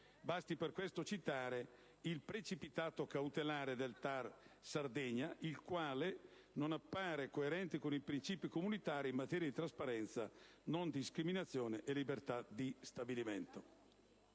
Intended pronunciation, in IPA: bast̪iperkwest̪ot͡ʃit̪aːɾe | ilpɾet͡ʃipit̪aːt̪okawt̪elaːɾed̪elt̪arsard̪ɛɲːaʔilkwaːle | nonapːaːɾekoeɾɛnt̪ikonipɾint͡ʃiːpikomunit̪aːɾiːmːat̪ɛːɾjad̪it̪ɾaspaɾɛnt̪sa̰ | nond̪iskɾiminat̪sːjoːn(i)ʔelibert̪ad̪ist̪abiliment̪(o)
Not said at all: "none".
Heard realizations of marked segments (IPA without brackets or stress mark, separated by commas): e, o